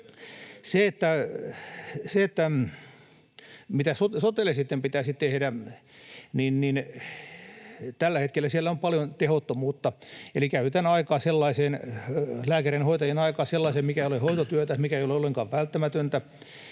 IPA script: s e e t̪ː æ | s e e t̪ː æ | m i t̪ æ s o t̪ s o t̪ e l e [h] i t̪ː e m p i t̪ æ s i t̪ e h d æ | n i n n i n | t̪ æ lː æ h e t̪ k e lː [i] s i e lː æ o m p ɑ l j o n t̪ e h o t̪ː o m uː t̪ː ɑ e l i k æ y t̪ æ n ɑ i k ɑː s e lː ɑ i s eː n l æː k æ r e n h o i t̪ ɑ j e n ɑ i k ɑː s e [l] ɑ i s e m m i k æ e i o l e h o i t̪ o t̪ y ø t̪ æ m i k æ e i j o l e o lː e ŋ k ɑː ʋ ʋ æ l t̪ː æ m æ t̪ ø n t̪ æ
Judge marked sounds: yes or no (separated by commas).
no, no, no